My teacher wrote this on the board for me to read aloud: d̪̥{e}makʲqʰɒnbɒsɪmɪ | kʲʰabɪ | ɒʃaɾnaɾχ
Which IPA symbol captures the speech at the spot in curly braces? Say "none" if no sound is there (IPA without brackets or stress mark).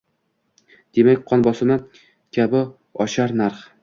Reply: e